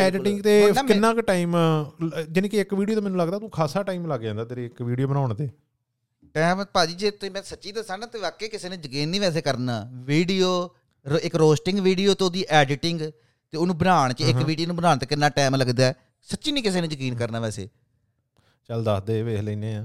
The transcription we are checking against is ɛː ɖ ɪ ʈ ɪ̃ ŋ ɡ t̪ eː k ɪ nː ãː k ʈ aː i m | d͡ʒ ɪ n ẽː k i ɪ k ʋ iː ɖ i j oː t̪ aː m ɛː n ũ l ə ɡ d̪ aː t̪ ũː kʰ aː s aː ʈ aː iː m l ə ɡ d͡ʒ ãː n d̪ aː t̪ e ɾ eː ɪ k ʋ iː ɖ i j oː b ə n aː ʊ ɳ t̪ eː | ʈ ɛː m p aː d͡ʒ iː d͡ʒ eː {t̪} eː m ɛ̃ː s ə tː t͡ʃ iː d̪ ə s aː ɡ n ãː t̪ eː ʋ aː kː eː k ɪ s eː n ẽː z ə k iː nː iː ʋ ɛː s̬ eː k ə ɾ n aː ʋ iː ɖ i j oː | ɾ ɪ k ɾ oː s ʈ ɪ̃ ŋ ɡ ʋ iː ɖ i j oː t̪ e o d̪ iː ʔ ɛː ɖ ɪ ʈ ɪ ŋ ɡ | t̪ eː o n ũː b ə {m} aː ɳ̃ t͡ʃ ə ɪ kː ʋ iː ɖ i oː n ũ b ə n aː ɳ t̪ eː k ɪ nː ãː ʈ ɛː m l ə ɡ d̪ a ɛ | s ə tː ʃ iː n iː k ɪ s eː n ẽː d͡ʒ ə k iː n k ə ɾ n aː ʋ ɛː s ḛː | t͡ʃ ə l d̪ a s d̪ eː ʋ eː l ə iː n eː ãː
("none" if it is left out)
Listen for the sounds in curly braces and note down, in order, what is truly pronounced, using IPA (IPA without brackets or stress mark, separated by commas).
t̪, n